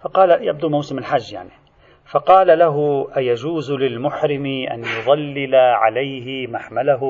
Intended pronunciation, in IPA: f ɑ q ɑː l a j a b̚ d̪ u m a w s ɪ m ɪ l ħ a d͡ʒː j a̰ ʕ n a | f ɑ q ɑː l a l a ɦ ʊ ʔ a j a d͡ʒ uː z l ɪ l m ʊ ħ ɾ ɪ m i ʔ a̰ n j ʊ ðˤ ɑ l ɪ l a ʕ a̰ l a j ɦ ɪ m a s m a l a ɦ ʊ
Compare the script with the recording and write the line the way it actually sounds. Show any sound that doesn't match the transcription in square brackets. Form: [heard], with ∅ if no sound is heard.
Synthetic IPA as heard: f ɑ q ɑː l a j a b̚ d̪ u m a w s ɪ m ɪ l ħ a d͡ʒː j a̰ ʕ n [i] | f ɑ q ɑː l a l a ɦ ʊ ʔ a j a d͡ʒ uː z l ɪ l m ʊ ħ ɾ ɪ m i ʔ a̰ n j ʊ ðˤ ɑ [lː] ɪ l a ʕ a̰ l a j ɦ ɪ m a [ħ] m a l a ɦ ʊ